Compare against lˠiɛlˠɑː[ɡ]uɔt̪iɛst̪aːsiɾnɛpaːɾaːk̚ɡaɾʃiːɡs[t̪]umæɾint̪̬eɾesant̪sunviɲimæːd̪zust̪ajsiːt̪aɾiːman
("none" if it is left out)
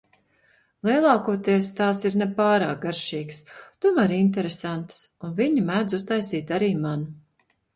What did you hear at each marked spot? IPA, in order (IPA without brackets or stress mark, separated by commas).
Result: k, t̪